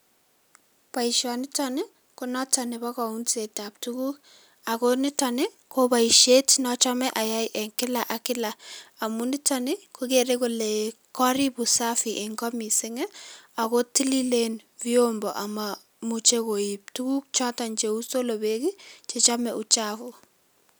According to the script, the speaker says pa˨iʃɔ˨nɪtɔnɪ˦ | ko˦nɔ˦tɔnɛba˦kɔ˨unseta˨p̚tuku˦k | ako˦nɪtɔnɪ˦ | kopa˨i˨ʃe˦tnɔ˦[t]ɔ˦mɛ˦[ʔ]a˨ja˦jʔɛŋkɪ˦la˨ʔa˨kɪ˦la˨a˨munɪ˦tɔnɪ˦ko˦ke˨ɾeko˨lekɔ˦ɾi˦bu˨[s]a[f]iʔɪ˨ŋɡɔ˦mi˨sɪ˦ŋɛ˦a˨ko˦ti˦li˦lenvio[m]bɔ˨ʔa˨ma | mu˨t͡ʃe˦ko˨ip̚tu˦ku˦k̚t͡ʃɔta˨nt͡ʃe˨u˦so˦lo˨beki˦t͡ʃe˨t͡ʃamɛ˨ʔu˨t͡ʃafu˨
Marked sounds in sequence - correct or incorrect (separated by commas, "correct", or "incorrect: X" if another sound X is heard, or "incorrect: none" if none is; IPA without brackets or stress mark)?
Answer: incorrect: t͡ʃ, correct, correct, correct, correct